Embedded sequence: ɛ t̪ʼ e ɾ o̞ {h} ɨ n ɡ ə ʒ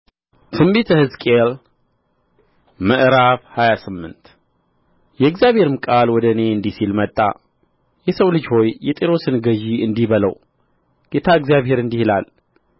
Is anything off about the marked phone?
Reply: yes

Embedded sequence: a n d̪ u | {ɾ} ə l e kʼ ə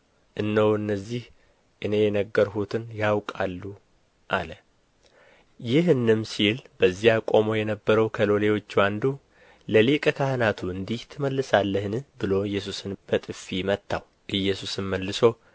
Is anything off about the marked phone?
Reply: yes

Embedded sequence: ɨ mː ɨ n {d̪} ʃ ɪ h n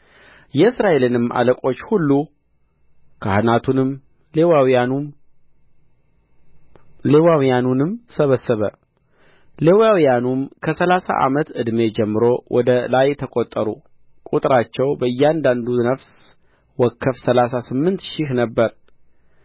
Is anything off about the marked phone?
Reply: yes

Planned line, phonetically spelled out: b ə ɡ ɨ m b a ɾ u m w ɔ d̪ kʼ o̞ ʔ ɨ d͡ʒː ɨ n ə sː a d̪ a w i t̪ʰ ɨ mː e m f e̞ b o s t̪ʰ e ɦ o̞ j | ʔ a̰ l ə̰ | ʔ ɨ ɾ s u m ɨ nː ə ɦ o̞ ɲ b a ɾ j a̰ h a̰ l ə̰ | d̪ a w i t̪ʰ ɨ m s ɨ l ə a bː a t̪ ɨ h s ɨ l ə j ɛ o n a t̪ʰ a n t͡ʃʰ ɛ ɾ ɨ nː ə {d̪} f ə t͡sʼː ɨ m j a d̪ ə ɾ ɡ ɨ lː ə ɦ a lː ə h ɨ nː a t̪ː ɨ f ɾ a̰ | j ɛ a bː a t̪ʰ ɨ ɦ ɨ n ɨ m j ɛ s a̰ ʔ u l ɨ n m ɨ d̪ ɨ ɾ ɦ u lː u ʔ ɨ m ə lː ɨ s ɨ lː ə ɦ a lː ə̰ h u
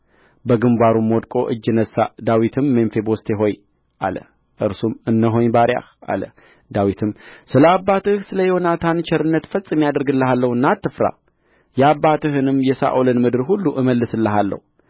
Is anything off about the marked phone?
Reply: yes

